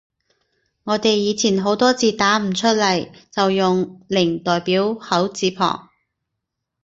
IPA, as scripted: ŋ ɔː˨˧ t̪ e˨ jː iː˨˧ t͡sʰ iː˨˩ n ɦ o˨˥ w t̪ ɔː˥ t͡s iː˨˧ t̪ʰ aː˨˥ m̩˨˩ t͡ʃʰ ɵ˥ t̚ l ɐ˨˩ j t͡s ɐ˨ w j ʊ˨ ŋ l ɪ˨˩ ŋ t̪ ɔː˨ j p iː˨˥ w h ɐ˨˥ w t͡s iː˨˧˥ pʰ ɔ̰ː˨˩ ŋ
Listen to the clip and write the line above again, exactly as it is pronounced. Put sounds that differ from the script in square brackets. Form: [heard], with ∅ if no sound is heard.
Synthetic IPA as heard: ŋ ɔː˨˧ t̪ e˨ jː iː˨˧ t͡sʰ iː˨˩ n ɦ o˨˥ w t̪ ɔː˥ t͡s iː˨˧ [t̪] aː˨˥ m̩˨˩ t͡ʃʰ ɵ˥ t̚ l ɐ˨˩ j t͡s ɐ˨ w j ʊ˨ ŋ l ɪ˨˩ ŋ t̪ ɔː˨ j p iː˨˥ w h ɐ˨˥ w t͡s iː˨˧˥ pʰ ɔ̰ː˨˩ ŋ

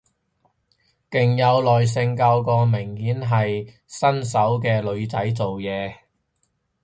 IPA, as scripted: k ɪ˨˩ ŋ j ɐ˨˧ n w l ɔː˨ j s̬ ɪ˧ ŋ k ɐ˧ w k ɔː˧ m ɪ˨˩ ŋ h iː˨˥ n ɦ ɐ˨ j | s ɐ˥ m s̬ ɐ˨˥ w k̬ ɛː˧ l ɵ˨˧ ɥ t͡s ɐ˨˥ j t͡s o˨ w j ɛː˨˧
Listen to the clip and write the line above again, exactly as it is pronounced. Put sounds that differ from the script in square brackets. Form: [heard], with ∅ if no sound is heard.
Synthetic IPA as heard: k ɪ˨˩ ŋ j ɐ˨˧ [∅] w l ɔː˨ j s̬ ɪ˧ ŋ k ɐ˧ w k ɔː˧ m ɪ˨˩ ŋ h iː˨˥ n ɦ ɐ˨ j | s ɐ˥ [n] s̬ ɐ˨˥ w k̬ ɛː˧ l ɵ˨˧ ɥ t͡s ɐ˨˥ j t͡s o˨ w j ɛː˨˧

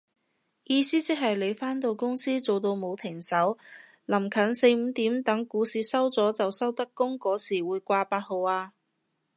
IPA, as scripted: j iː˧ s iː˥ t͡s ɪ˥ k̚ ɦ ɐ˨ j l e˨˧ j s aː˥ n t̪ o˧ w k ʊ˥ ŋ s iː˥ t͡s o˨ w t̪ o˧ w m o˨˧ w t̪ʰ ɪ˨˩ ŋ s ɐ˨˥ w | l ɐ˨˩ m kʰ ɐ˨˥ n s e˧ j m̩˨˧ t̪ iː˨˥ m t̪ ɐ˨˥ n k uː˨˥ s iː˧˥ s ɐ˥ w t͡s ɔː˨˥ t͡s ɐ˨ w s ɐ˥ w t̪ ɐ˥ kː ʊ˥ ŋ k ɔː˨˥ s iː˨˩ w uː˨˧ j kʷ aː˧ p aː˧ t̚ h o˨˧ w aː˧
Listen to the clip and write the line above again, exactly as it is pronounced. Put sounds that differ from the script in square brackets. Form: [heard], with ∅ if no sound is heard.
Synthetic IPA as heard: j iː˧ s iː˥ t͡s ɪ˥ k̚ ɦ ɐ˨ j l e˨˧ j [f] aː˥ n t̪ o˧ w k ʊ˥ ŋ s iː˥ t͡s o˨ w t̪ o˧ w m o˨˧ w t̪ʰ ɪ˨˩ ŋ s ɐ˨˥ w | l ɐ˨˩ m kʰ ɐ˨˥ n s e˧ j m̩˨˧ t̪ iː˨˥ m t̪ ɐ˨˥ [ŋ] k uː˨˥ s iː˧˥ s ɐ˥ w t͡s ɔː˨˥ t͡s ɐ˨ w s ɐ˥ w t̪ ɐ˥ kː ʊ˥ ŋ k ɔː˨˥ s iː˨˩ w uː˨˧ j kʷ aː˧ p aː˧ t̚ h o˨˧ w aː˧

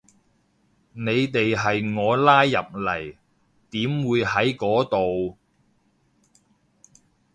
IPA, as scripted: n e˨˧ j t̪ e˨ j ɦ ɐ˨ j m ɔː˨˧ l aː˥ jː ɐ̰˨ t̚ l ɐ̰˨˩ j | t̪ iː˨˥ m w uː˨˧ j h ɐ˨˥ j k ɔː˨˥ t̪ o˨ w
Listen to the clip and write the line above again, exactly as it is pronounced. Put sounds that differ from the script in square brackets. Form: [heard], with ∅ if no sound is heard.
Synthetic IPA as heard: n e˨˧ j t̪ e˨ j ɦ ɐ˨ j [ŋ] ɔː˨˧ l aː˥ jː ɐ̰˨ [p̚] l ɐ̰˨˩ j | t̪ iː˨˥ m w uː˨˧ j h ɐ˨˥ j k ɔː˨˥ t̪ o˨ w

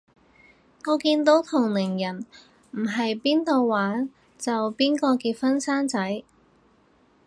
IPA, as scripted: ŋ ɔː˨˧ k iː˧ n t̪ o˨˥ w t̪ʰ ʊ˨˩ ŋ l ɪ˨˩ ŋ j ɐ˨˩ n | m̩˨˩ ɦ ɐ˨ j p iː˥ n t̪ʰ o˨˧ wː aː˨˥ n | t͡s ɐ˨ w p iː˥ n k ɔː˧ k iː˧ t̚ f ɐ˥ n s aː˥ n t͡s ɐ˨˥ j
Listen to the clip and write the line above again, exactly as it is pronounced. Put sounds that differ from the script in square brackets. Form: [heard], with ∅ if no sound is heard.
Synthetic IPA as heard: ŋ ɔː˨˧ k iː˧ n t̪ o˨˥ w t̪ʰ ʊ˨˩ ŋ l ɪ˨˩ ŋ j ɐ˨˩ n | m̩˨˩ ɦ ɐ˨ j p iː˥ n [t̪] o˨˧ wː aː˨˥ n | t͡s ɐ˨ w p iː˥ n k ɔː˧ k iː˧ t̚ f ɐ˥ n s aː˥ n t͡s ɐ˨˥ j

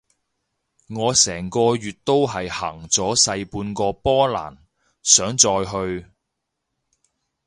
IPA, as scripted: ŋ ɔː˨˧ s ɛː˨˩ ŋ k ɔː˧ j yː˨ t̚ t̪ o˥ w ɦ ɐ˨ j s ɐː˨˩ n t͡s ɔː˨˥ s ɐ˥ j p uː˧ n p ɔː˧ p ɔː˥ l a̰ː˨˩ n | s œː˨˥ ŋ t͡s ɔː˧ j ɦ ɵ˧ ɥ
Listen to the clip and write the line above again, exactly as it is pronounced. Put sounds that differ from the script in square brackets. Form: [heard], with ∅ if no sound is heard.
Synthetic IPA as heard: ŋ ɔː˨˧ s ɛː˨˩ ŋ k ɔː˧ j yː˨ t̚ t̪ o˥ w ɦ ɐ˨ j [h] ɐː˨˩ [ŋ] t͡s ɔː˨˥ s [ɐ˧] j p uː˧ n [k] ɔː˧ p ɔː˥ l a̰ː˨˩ n | s œː˨˥ ŋ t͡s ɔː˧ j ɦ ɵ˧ ɥ

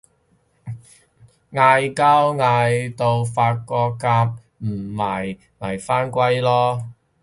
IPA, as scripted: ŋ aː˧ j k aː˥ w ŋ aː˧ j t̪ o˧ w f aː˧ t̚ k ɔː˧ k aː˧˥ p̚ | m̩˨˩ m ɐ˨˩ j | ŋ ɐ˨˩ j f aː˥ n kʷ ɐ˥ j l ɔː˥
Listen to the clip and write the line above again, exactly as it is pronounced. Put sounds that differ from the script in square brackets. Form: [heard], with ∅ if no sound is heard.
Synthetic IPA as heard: ŋ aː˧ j k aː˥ w ŋ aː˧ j t̪ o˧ w f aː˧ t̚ k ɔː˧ k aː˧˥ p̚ | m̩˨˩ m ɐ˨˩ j | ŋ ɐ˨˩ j f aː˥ n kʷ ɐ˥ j l ɔː˥

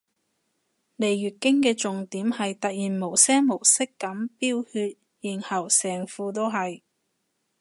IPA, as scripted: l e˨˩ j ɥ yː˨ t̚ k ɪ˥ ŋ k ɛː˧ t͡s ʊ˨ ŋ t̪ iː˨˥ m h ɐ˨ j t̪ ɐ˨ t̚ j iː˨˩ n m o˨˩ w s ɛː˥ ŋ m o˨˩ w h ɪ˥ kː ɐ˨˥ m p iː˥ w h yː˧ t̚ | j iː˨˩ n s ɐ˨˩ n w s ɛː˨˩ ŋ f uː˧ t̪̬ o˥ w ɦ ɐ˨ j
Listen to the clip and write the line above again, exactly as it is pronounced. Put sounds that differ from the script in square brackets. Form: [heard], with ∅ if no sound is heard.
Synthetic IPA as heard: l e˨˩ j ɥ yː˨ t̚ k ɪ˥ ŋ k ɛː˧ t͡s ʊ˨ ŋ t̪ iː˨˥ m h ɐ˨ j t̪ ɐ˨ t̚ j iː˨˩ n m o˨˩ w s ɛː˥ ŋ m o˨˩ w [s] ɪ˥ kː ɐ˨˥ m p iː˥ w h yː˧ t̚ | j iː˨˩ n [h] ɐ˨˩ [∅] w s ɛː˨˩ ŋ f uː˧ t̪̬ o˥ w ɦ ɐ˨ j

